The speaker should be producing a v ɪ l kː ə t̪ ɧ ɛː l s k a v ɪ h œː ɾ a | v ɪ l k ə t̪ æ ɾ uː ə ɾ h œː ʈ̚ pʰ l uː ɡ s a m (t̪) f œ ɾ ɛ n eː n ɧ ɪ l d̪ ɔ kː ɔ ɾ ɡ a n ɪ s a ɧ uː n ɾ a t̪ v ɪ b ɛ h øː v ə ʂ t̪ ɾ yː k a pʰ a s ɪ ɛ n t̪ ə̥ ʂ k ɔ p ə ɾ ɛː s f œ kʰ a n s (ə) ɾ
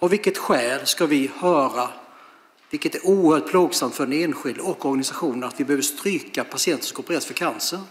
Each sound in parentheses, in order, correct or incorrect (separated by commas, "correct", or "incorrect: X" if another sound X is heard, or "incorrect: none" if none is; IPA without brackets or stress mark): correct, correct